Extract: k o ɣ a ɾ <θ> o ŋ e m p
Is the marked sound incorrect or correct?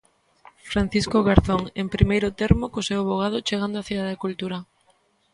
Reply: correct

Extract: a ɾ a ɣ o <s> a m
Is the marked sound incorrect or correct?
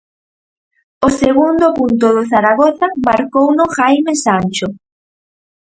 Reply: incorrect: θ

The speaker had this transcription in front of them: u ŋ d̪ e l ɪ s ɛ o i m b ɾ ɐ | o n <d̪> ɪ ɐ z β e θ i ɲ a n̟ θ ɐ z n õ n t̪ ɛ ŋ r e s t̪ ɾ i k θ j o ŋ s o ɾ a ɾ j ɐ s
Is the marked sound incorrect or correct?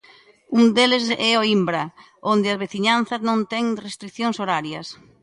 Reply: correct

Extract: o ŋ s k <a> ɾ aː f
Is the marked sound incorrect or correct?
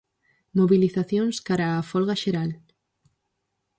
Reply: correct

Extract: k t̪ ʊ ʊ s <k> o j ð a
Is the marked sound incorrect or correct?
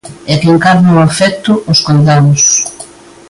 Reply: correct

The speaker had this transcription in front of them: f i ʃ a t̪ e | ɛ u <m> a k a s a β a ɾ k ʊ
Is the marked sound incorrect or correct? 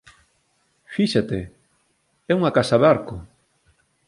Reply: incorrect: ŋ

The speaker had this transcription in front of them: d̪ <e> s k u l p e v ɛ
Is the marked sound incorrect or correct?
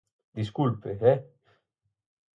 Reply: incorrect: i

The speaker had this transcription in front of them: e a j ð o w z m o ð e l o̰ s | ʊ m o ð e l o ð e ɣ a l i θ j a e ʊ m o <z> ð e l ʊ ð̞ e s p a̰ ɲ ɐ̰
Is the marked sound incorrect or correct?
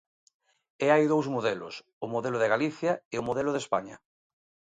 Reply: incorrect: none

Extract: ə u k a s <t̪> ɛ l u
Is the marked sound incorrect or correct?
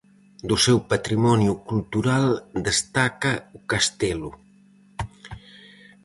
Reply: correct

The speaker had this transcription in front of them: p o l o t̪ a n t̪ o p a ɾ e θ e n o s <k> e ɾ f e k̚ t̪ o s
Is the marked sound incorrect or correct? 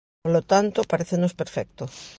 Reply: incorrect: p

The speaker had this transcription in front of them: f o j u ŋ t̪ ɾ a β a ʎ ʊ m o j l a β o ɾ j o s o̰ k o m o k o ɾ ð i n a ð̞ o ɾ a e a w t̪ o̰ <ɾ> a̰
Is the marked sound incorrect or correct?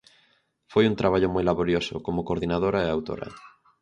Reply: correct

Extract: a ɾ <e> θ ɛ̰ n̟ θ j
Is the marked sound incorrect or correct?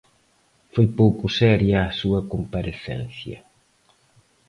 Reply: correct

